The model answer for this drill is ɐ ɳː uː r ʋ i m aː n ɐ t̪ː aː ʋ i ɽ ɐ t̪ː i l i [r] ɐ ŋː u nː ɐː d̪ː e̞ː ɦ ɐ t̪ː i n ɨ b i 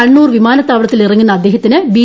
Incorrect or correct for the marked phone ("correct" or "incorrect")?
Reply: correct